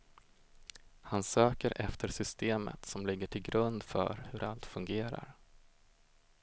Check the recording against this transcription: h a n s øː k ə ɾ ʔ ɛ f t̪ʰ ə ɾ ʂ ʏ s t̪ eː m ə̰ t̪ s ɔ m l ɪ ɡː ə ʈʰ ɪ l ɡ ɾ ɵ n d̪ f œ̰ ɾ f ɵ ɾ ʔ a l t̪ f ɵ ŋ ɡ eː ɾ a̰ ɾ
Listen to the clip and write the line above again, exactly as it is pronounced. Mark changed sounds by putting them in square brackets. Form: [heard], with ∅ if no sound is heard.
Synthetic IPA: h a n s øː k ə ɾ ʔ ɛ f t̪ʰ ə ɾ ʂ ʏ s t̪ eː m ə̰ t̪ s ɔ m l ɪ ɡː ə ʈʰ ɪ l ɡ ɾ ɵ n d̪ f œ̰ ɾ [h] ɵ ɾ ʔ a l t̪ f ɵ ŋ ɡ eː ɾ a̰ ɾ